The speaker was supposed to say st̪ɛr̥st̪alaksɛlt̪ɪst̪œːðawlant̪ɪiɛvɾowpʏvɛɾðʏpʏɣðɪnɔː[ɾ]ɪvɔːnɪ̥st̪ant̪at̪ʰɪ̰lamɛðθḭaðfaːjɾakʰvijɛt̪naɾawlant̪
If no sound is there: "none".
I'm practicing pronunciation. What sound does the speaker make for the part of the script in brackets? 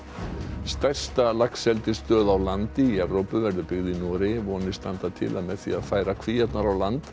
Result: ɾ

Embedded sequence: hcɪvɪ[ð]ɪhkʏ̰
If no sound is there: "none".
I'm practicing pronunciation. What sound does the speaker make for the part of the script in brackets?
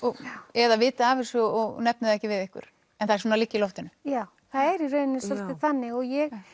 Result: ð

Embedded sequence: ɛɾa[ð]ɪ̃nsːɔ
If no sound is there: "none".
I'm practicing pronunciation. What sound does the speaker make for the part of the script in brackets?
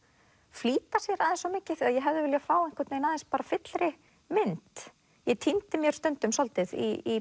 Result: ð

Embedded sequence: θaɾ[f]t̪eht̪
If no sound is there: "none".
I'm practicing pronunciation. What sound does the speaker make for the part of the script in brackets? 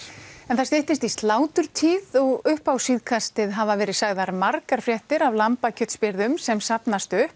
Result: s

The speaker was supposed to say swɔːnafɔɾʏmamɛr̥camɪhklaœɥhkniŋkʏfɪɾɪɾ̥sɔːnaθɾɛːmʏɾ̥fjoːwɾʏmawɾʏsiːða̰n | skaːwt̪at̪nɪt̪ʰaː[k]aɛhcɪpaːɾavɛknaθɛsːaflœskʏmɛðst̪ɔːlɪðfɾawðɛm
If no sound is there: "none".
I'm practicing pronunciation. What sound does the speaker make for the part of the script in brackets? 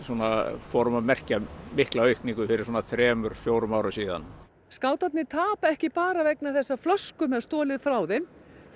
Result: p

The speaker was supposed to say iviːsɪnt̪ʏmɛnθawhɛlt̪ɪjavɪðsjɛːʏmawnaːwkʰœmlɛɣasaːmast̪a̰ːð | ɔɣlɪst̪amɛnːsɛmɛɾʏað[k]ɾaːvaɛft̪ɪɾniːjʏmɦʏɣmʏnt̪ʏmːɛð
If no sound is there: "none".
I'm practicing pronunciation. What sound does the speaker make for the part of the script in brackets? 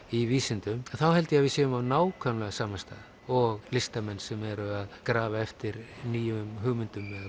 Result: k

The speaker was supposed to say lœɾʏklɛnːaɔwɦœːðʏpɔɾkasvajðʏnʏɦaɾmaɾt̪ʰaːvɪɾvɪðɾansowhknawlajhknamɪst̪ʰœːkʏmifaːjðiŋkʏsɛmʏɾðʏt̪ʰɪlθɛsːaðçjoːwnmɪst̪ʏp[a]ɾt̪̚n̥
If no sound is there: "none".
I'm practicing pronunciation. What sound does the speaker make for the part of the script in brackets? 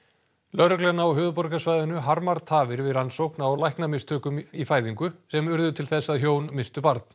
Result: a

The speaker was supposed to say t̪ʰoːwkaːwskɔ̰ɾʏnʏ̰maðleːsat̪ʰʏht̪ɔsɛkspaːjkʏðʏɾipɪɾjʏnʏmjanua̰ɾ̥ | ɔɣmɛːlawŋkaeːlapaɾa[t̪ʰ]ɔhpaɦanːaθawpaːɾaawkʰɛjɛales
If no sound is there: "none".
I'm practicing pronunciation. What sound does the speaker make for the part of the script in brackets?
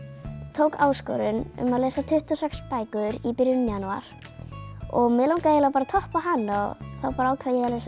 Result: t̪ʰ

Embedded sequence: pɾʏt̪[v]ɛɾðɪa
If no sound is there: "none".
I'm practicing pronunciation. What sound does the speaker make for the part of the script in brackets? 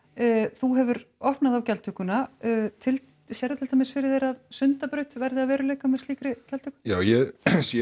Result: v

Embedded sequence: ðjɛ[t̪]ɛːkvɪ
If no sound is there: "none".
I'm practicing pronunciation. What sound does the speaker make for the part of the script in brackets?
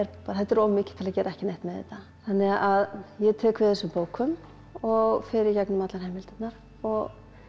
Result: t̪ʰ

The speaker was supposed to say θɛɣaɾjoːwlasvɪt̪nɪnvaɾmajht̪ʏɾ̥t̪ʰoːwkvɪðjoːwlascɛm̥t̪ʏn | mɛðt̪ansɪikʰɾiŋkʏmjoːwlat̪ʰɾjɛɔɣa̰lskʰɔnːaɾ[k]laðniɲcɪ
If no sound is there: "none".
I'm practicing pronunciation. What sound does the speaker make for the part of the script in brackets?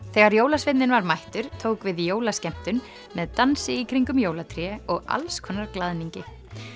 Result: k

